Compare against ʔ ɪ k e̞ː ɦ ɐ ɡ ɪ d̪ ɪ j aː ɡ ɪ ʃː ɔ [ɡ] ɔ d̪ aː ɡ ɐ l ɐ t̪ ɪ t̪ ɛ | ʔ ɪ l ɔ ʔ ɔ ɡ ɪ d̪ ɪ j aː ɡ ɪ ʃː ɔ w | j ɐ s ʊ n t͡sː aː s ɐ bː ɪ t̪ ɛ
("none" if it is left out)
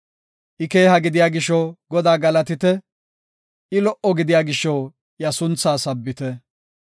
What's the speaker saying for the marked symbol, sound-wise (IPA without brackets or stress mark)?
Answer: ɡ